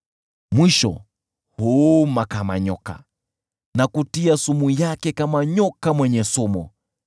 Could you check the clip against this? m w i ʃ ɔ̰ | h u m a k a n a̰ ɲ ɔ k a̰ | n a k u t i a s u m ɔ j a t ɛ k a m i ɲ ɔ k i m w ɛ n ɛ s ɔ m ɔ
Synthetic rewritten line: m w i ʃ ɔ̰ | h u m a k a m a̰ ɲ ɔ k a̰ | n a k u t i a s u m u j a k ɛ k a m a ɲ ɔ k a m w ɛ ɲ ɛ s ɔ m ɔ